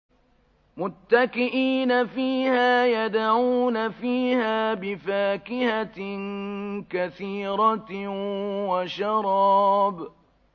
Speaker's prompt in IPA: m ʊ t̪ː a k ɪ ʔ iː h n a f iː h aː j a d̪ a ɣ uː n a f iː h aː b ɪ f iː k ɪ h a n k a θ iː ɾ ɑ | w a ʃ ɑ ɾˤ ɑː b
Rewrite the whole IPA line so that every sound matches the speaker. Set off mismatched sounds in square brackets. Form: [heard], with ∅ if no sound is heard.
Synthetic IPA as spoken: m ʊ t̪ː a k ɪ ʔ iː [∅] n a f iː h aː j a d̪ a [ʕ] uː n a f iː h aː b ɪ f [aː] k ɪ h a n k a θ iː ɾ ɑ | w a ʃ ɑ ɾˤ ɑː b